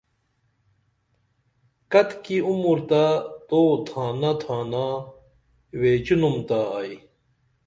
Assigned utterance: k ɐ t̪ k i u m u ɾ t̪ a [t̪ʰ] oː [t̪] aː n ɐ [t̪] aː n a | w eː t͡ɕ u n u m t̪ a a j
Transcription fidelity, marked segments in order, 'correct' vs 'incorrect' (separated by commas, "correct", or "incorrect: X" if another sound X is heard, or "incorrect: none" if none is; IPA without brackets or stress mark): incorrect: t̪, incorrect: t̪ʰ, incorrect: t̪ʰ